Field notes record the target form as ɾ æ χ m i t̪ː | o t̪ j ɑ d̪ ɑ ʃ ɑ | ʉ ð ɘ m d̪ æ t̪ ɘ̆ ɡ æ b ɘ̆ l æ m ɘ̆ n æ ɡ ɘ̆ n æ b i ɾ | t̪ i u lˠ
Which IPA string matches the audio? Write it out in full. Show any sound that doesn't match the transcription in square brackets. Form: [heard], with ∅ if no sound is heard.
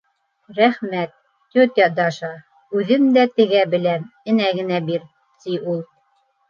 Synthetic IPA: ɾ æ χ m [æ] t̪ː | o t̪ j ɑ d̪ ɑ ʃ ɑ | ʉ ð ɘ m d̪ æ t̪ ɘ̆ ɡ æ b ɘ̆ l æ m ɘ̆ n æ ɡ ɘ̆ n æ b i ɾ | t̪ i u lˠ

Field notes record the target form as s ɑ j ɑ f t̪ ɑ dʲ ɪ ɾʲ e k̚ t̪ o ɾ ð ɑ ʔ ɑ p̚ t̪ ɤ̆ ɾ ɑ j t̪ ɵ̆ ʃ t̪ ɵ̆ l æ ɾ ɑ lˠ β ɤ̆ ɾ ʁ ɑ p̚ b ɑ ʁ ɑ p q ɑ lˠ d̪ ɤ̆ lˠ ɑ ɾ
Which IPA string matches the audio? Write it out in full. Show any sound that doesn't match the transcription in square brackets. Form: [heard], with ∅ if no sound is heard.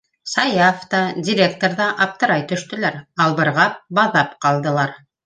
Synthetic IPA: s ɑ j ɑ f t̪ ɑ dʲ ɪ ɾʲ e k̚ t̪ o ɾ ð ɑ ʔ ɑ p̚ t̪ ɤ̆ ɾ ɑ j t̪ ɵ̆ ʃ t̪ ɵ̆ l æ ɾ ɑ lˠ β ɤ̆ ɾ ʁ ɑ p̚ b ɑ [ð] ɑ p q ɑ lˠ d̪ ɤ̆ lˠ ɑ ɾ

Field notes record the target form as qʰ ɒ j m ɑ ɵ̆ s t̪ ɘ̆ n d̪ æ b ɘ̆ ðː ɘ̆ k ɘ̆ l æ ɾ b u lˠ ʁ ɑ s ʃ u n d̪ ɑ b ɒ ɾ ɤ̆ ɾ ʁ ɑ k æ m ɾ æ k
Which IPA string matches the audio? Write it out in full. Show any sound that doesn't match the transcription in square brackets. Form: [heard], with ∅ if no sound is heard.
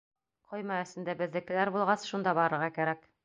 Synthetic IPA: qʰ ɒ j m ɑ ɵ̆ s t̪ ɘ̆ n d̪ æ b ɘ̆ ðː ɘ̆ k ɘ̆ l æ ɾ b u lˠ ʁ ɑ s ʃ u n d̪ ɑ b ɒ ɾ ɤ̆ ɾ ʁ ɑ k æ [∅] ɾ æ k

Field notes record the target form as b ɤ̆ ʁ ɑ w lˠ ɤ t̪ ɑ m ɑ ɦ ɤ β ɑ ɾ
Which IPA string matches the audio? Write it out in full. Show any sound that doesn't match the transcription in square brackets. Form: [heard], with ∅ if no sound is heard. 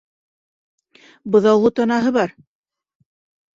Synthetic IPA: b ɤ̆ [ð] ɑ w lˠ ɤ t̪ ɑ [n] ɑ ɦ ɤ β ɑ ɾ

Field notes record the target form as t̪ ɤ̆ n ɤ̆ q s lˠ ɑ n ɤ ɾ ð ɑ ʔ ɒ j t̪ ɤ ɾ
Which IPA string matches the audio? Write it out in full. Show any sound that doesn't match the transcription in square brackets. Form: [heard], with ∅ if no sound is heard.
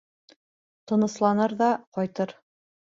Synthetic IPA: t̪ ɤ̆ n ɤ̆ [∅] s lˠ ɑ n ɤ ɾ ð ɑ [q] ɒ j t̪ ɤ ɾ

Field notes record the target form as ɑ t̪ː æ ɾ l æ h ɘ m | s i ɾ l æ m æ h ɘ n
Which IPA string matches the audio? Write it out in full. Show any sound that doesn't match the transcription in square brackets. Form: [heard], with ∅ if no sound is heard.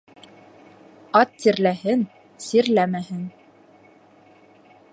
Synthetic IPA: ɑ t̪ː [i] ɾ l æ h ɘ [n] | s i ɾ l æ m æ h ɘ n

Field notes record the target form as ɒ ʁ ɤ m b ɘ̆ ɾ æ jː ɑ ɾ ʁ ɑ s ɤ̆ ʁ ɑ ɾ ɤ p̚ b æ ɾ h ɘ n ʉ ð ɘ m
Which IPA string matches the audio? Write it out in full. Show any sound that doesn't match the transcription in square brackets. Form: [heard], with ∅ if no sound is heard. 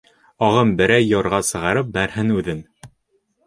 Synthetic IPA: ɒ ʁ ɤ m b ɘ̆ ɾ æ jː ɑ ɾ ʁ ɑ s ɤ̆ ʁ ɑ ɾ ɤ p̚ b æ ɾ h ɘ n ʉ ð ɘ [n]

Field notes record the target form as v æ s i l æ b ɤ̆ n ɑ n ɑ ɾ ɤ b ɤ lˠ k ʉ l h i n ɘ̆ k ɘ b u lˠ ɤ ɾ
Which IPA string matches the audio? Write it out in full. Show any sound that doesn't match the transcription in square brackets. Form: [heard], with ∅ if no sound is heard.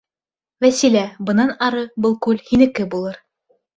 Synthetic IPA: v æ s i l æ b ɤ̆ n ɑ n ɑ ɾ ɤ b ɤ lˠ k ʉ l h i n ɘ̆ k ɘ b u lˠ ɤ ɾ

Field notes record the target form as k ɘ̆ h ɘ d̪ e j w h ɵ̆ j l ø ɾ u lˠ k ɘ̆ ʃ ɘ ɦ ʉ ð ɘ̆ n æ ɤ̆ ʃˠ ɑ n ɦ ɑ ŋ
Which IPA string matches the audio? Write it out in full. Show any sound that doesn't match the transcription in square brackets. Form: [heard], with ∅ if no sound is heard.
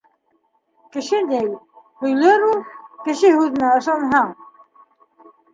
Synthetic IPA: k ɘ̆ [ʃ] ɘ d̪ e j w h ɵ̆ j l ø ɾ u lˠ k ɘ̆ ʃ ɘ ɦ ʉ ð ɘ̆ n æ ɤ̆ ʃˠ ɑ n ɦ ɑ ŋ

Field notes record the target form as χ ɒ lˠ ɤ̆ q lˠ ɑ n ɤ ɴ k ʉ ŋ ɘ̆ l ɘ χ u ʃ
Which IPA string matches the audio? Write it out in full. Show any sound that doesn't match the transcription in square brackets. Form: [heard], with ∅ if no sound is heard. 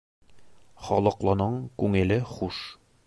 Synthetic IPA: χ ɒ lˠ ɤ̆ q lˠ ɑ n ɤ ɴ k ʉ ŋ ɘ̆ l ɘ χ u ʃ

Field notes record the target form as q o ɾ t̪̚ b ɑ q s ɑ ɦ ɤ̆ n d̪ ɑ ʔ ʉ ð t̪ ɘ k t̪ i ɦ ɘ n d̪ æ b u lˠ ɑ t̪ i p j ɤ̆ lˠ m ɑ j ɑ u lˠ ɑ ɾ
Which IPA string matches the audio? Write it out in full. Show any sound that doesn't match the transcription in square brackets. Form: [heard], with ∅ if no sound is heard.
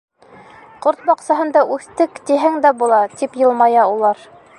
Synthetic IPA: q o ɾ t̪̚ b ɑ q s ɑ ɦ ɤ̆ n d̪ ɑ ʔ ʉ [θ] t̪ ɘ k t̪ i ɦ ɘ [ŋ] d̪ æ b u lˠ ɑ t̪ i p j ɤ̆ lˠ m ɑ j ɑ u lˠ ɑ ɾ

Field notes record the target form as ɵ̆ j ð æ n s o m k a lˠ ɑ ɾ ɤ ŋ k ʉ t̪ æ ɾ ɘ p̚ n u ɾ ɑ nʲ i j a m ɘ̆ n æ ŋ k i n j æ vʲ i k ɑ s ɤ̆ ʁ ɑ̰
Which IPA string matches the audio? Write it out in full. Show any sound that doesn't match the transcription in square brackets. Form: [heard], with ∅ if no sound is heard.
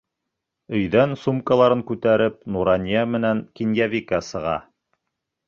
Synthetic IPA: ɵ̆ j ð æ n s [u] m k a lˠ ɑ ɾ ɤ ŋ k ʉ t̪ æ ɾ ɘ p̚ n u ɾ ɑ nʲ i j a m ɘ̆ n æ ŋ k i n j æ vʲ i k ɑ s ɤ̆ ʁ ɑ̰

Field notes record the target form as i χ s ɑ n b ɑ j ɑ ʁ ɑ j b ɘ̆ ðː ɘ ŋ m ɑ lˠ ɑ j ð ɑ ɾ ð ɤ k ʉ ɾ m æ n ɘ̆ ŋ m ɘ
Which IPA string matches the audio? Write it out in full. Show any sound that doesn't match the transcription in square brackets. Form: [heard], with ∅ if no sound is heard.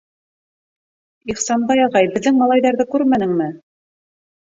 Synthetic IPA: i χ s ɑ n b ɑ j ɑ ʁ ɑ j b ɘ̆ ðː ɘ ŋ m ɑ lˠ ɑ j ð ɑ ɾ ð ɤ k ʉ ɾ m æ n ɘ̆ ŋ m ɘ

